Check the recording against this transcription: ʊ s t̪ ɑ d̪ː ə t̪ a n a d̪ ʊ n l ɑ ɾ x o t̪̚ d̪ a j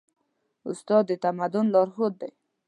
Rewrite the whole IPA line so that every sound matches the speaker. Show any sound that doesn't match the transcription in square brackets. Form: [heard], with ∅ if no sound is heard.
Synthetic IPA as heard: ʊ s t̪ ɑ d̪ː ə t̪ a [m] a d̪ ʊ n l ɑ ɾ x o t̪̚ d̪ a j